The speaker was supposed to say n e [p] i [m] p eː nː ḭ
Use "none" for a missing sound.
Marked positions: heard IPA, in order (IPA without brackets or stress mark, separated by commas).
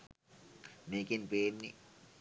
k, n